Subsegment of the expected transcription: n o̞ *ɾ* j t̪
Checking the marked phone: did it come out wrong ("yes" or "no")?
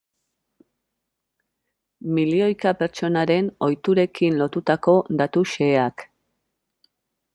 yes